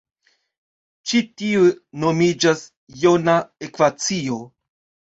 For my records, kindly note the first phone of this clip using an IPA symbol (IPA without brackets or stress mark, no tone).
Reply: t͡ʃ